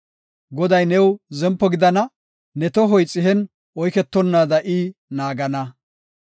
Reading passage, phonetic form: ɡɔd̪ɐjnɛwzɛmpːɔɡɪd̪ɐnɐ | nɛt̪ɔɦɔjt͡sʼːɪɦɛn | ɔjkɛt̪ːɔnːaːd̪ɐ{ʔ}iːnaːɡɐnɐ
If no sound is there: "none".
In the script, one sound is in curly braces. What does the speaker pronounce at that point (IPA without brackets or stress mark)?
ʔ